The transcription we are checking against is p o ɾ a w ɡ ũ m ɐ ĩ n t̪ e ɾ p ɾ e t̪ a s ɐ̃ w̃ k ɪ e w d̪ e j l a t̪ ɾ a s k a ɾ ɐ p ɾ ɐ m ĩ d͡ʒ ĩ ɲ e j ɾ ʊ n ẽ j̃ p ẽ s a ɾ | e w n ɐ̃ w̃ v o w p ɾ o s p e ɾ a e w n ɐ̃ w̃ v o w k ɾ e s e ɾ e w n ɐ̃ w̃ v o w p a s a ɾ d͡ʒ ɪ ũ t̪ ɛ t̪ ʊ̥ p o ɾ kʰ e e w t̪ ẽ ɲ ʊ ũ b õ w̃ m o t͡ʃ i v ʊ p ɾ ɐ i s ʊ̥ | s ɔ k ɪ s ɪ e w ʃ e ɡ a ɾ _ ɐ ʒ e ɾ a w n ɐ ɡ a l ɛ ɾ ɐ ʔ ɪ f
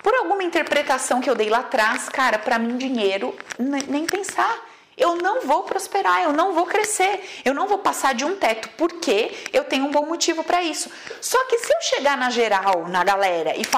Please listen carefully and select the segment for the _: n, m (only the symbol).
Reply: n